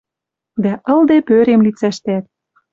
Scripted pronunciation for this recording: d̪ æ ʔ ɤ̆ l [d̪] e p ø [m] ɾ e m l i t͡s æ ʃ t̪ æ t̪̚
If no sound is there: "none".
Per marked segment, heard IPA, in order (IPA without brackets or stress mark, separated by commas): d̪, none